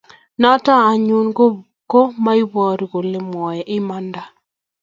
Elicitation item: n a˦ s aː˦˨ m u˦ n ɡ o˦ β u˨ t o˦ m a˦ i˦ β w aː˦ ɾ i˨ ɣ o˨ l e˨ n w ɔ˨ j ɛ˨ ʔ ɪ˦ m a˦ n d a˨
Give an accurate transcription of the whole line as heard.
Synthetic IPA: n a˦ t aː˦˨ ɲ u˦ n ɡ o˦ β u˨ k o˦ m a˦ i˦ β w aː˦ ɾ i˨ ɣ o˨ l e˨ m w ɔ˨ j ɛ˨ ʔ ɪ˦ m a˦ n d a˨